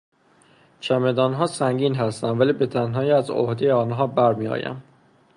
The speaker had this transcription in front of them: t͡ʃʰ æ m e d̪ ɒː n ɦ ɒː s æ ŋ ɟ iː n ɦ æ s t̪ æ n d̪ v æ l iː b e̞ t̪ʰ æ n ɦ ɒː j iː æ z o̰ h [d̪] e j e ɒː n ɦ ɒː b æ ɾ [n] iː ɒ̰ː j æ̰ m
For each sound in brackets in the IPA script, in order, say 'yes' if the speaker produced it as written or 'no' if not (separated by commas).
yes, no